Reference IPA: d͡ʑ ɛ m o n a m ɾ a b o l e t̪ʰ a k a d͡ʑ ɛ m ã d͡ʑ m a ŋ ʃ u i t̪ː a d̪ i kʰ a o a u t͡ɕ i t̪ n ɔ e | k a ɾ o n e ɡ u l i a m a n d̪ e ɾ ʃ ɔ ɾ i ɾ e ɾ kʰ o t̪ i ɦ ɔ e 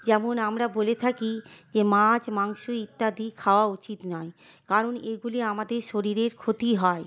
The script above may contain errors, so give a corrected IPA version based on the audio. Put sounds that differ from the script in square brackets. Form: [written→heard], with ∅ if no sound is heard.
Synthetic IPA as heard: d͡ʑ ɛ m o n a m ɾ a b o l e t̪ʰ a k [a→i] d͡ʑ [ɛ→e] m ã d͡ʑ m a ŋ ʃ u i t̪ː a d̪ i kʰ a o a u t͡ɕ i t̪ n ɔ e | k a ɾ o n e ɡ u l i a m a [n→∅] d̪ e ɾ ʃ [ɔ→o] ɾ i ɾ e ɾ kʰ o t̪ i ɦ ɔ e